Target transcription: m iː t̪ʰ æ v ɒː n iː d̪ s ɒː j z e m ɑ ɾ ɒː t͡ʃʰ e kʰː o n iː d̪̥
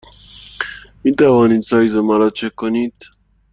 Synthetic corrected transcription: m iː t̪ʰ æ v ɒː n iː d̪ s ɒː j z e m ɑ ɾ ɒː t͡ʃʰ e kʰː o n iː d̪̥

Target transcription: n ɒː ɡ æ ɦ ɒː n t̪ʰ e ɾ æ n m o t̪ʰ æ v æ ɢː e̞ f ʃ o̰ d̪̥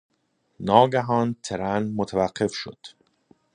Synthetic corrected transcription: n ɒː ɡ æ ɦ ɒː n t̪ʰ e ɾ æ n m o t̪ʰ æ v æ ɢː e̞ f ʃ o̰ d̪̥

